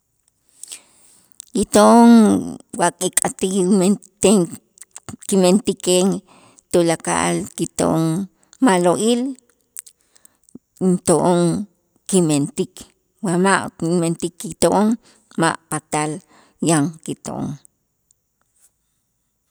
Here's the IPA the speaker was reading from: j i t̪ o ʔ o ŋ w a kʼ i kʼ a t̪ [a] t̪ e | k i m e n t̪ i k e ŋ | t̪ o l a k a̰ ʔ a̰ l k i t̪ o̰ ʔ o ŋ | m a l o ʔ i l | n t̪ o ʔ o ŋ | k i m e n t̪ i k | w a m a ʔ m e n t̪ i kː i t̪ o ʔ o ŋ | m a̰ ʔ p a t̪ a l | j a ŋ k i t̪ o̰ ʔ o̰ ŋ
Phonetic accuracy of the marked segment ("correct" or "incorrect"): incorrect